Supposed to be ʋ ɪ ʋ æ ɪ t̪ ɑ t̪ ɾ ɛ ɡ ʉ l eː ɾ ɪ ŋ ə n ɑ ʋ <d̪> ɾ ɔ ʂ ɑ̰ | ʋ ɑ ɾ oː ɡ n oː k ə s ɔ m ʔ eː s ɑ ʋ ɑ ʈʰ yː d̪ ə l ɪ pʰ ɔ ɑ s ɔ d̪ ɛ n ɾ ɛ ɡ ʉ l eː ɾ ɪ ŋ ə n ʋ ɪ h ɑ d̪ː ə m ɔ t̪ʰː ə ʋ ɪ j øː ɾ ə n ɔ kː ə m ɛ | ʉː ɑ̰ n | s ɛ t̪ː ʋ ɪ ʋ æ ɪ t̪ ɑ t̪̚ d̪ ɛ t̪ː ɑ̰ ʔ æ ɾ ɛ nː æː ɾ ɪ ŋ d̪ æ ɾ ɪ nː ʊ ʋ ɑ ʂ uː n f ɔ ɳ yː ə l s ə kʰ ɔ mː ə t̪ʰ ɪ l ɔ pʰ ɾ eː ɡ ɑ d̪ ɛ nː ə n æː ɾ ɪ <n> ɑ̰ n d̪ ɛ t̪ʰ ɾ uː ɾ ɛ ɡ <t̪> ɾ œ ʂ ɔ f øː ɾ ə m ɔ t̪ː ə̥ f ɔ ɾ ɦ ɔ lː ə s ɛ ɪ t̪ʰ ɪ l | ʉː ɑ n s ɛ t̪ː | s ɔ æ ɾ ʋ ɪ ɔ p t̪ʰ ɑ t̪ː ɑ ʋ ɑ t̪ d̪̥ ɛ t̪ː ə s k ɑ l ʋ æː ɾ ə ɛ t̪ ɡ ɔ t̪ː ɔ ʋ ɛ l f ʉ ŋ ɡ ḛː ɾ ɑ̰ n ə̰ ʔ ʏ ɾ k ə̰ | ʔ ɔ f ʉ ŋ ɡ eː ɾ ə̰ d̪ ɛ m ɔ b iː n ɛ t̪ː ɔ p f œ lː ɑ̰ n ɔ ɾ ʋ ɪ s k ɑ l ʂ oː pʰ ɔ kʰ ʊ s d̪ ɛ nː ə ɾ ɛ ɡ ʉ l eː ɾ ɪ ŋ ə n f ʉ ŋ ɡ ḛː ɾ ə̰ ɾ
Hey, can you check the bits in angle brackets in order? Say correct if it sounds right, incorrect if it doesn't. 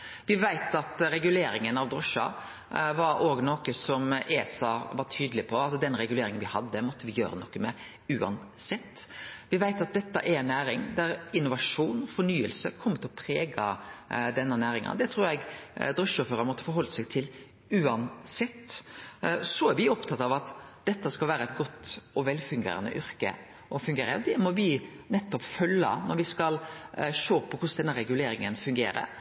correct, incorrect: ŋ, incorrect: d̪

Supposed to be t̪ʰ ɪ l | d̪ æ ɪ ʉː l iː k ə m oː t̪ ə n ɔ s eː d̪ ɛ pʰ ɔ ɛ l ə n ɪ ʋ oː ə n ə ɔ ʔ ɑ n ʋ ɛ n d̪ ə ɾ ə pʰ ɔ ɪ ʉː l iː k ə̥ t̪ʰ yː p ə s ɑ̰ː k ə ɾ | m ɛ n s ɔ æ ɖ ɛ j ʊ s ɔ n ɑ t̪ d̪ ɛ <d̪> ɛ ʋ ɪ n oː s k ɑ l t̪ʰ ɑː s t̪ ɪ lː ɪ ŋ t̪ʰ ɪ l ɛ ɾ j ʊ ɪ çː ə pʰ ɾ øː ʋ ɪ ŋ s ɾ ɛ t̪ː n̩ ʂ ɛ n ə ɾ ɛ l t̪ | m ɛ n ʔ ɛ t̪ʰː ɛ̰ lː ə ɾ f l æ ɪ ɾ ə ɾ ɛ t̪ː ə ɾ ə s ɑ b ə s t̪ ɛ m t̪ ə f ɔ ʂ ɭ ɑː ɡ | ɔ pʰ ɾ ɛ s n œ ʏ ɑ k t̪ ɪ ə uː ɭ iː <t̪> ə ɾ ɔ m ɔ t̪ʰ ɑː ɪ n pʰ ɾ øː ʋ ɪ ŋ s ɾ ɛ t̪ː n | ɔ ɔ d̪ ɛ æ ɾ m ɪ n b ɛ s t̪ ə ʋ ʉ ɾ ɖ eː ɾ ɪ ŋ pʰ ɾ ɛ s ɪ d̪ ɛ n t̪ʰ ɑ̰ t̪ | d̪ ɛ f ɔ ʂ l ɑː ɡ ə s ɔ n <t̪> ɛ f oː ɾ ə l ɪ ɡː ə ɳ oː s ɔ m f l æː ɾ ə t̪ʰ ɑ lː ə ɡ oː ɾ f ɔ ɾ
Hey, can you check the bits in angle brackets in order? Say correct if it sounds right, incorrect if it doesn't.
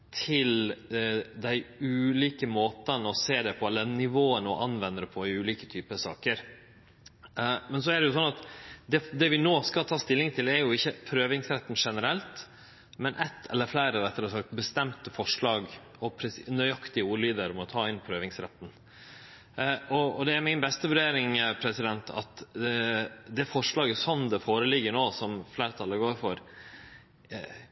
correct, incorrect: d̪, incorrect: d̪

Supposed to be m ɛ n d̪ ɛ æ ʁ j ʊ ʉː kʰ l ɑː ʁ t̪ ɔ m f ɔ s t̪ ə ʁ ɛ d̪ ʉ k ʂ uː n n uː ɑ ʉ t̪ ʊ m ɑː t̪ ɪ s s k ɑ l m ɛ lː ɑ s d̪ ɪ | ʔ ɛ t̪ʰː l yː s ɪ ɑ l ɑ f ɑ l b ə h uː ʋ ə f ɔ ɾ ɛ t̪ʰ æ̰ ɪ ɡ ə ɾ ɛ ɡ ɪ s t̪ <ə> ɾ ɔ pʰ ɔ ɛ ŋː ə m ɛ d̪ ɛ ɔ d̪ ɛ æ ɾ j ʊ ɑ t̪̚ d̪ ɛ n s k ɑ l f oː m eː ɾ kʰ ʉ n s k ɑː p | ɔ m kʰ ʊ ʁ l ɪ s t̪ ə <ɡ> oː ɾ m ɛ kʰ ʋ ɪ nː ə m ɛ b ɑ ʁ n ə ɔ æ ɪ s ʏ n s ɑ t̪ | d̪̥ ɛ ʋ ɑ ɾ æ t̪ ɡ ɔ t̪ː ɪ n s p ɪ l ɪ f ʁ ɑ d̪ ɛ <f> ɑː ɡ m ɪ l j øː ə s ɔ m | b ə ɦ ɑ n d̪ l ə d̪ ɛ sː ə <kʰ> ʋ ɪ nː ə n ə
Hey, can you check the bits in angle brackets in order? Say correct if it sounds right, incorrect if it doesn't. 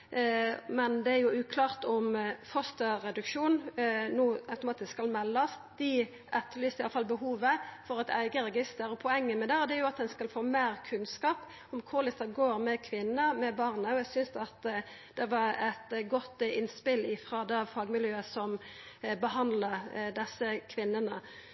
correct, correct, correct, correct

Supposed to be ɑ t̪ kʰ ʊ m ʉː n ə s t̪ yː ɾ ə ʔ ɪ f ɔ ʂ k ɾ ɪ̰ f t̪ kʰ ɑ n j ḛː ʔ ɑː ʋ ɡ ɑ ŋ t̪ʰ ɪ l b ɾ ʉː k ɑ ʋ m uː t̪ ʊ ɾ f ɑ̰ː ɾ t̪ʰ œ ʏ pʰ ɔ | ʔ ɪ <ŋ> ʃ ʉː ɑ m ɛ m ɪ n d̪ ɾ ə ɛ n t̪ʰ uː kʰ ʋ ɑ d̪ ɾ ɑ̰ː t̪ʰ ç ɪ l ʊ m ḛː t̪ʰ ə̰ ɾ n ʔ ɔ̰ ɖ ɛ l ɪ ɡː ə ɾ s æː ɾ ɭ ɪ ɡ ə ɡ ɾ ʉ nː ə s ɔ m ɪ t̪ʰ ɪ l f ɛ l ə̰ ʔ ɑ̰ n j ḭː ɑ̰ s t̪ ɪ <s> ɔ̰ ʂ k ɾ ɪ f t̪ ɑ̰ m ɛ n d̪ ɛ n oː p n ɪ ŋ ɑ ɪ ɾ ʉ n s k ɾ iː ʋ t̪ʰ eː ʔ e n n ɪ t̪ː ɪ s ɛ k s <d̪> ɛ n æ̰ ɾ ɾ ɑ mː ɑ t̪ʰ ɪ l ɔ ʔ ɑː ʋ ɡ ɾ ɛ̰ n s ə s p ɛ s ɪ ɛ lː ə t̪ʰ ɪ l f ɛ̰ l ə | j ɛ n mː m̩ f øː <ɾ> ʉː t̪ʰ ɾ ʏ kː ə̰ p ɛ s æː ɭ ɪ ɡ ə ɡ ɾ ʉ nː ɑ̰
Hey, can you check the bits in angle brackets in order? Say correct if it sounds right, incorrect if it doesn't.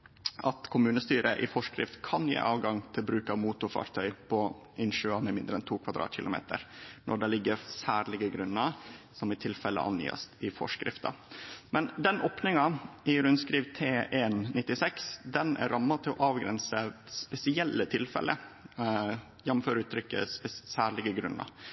incorrect: n, incorrect: f, correct, correct

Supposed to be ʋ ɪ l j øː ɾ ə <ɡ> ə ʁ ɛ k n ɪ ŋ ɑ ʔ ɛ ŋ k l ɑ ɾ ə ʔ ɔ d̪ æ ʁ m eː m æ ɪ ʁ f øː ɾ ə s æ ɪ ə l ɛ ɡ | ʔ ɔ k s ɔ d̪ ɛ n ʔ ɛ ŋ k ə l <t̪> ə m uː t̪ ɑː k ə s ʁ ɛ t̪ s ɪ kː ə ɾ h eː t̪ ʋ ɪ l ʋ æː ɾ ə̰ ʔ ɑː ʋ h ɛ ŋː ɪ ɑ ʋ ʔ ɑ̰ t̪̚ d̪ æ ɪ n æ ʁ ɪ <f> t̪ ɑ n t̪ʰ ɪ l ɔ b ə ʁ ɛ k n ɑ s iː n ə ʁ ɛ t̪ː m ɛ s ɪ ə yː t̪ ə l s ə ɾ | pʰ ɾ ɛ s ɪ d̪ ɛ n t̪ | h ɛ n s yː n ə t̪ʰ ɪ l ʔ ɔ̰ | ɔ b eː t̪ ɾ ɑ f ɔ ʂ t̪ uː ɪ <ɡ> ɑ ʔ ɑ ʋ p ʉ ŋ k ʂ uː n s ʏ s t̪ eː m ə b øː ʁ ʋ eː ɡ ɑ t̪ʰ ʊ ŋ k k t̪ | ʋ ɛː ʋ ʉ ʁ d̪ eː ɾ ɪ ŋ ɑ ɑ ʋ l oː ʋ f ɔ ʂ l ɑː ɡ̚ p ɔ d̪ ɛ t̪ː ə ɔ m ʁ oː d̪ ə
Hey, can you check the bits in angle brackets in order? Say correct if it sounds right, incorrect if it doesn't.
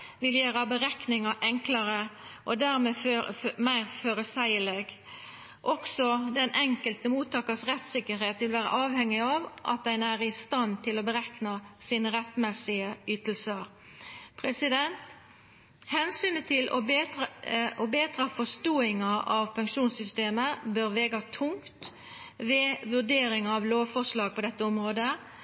incorrect: b, correct, incorrect: s, incorrect: ŋ

